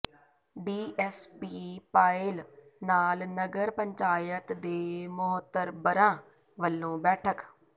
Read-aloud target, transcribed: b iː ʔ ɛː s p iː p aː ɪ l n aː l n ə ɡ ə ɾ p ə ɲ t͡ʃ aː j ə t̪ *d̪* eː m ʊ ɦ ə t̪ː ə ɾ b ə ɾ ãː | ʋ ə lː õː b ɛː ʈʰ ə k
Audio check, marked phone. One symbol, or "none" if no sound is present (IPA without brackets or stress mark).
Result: d̪